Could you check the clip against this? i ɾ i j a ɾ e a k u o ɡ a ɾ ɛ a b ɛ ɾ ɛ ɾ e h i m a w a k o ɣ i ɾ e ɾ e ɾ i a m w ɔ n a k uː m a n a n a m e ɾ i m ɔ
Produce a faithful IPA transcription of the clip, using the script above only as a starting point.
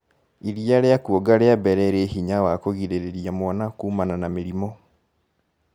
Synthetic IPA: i ɾ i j a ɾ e a k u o ɡ a ɾ e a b ɛ ɾ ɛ ɾ e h i ɲ a w a k o ɣ i ɾ e ɾ e ɾ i a m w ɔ n a k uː m a n a n a m e ɾ i m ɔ